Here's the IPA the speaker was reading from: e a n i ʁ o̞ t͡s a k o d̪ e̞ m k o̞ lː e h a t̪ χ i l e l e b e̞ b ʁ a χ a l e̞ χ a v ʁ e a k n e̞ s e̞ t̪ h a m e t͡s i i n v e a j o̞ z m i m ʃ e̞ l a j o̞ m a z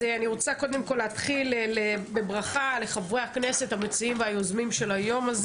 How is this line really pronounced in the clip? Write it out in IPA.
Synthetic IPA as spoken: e a n i ʁ o̞ t͡s a k o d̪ e̞ m k o̞ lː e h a t̪ χ i l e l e b e̞ b ʁ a χ a l e̞ χ a v ʁ e a k n e̞ s e̞ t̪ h a m e t͡s i i m v e a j o̞ z m i m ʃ e̞ l a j o̞ m a z